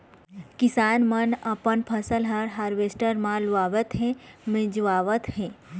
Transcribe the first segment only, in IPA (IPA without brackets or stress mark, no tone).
k